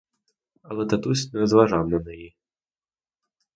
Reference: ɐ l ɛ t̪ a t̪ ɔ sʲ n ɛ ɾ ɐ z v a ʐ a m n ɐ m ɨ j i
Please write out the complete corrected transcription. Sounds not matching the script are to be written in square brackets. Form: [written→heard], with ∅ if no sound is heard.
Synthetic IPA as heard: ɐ l ɛ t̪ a t̪ [ɔ→u] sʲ n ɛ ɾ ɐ z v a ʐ a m n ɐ [m→n] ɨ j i